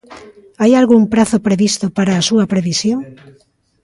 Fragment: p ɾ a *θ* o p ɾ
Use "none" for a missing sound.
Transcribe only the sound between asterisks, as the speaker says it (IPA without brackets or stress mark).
θ